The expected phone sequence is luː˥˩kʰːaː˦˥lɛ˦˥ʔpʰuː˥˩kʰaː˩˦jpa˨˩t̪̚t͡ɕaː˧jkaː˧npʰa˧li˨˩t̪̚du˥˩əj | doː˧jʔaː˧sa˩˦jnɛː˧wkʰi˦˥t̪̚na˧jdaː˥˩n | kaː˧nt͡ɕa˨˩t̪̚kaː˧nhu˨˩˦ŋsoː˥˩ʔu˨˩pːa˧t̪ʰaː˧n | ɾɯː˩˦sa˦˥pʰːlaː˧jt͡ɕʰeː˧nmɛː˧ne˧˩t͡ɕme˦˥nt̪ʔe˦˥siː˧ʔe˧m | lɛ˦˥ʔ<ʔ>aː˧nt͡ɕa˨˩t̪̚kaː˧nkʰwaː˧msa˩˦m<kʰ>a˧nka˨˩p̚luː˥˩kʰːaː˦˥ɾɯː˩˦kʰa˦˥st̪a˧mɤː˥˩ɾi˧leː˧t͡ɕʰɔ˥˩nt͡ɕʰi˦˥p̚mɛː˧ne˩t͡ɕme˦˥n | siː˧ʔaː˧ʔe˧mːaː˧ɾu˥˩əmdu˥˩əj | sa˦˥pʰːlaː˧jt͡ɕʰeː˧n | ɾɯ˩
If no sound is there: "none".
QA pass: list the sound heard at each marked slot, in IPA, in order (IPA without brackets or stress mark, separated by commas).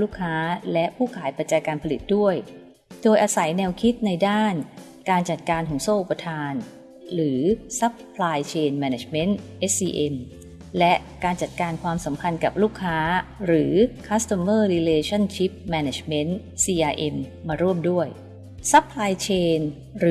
k, pʰ